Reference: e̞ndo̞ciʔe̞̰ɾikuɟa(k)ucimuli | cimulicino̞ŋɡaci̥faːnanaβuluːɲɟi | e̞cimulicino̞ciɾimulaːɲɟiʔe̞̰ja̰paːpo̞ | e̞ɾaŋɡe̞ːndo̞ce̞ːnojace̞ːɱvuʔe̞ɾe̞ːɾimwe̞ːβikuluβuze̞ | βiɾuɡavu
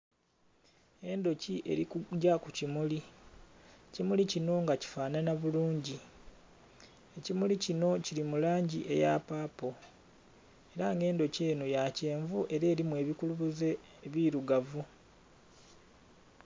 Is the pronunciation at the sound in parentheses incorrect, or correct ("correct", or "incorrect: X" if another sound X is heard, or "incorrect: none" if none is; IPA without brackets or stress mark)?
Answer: correct